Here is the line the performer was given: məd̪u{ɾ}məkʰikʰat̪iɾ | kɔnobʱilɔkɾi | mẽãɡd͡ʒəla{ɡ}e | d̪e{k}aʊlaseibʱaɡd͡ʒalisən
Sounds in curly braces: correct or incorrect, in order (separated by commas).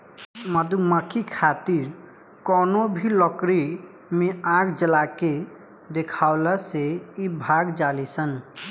incorrect, incorrect, incorrect